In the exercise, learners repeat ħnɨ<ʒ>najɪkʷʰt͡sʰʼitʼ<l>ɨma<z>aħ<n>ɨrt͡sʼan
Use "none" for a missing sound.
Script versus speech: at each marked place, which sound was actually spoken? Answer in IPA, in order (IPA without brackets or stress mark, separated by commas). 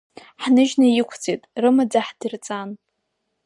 ʒ, r, d͡z, d